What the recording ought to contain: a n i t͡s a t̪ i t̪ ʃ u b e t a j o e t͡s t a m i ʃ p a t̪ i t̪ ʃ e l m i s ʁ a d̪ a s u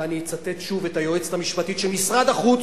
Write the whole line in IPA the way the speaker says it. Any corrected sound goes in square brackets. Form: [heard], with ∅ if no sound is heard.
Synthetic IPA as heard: a n i t͡s a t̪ [e] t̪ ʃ u [v] e t a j o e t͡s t a m i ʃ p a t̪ i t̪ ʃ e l m i s ʁ a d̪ a [χ] u